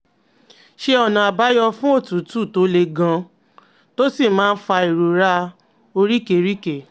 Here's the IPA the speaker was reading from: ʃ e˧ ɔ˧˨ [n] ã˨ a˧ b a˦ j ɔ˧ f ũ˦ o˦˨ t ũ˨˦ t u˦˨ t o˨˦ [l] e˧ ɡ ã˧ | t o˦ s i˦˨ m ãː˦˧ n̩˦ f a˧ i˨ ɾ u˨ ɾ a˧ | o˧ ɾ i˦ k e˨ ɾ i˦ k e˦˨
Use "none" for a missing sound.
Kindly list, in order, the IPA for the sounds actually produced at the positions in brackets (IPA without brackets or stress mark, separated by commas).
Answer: n, l